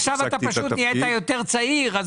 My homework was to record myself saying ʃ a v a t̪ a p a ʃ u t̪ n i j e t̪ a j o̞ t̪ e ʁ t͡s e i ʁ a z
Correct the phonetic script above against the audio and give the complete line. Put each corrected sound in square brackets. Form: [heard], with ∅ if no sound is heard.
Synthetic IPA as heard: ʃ a v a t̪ a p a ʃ u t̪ n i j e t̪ a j o̞ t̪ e ʁ t͡s [a] i ʁ a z